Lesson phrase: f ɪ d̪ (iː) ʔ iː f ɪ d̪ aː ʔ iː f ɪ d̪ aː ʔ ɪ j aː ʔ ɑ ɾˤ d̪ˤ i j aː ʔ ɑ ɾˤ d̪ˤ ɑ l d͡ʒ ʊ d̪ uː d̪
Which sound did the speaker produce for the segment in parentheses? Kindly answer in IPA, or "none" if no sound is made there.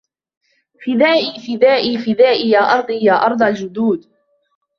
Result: aː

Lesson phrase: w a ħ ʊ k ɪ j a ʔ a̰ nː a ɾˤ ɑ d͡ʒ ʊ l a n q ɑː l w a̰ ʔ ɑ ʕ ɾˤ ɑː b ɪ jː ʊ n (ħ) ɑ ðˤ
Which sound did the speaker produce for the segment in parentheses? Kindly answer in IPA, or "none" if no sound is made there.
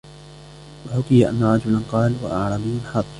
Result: ħ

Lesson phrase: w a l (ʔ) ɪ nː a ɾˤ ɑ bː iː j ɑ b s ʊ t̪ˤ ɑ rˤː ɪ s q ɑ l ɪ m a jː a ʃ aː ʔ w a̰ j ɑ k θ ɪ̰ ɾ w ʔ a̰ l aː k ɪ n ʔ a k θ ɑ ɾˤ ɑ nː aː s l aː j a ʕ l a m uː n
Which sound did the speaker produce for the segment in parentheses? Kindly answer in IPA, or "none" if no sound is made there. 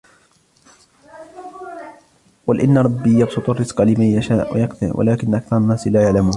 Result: ʔ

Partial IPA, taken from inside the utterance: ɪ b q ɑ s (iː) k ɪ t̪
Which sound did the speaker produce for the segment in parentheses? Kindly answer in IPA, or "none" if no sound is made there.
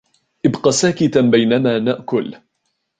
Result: aː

